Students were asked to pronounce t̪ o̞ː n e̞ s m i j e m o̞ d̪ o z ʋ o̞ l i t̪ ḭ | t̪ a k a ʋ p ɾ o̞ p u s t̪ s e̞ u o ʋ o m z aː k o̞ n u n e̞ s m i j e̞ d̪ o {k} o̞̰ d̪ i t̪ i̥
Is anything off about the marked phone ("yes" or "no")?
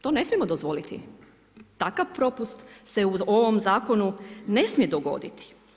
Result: yes